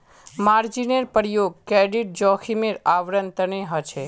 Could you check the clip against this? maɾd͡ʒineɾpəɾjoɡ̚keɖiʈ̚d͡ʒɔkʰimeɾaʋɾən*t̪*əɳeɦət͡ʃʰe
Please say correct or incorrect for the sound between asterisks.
correct